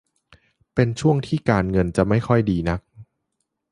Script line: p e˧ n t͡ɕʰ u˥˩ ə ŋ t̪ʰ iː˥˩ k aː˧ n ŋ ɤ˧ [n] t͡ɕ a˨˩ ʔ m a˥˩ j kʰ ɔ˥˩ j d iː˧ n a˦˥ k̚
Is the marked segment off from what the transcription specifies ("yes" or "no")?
no